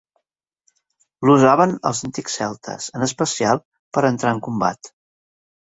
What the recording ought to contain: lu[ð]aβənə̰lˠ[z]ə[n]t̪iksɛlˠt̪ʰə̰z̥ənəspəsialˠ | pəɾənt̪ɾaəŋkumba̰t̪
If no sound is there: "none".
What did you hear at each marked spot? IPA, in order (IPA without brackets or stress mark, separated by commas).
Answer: z, z, n